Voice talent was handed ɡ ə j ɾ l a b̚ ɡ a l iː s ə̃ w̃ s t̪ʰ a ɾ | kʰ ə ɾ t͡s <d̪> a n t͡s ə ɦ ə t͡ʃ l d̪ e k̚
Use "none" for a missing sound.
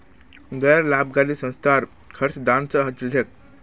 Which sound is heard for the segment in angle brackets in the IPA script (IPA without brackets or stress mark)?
d̪